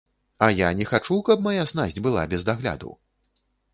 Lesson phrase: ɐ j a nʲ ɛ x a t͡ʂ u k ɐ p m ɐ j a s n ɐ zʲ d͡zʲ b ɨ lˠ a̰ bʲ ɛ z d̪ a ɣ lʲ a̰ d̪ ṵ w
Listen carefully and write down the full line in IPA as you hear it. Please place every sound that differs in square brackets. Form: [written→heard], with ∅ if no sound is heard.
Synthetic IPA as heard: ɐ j a nʲ ɛ x a t͡ʂ u k ɐ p m [ɐ→a] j a s n [ɐ→a] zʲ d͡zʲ b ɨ lˠ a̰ bʲ ɛ z d̪ a ɣ lʲ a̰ d̪ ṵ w